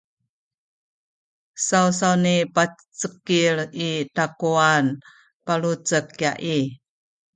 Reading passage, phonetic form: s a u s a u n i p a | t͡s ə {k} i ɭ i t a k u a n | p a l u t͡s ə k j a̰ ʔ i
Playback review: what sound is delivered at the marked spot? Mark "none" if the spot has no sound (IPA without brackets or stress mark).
k